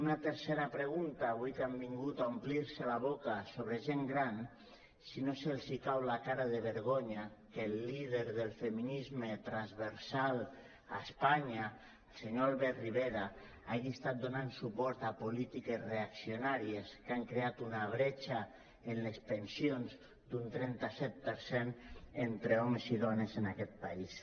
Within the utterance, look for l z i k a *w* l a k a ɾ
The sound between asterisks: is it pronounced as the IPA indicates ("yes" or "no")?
yes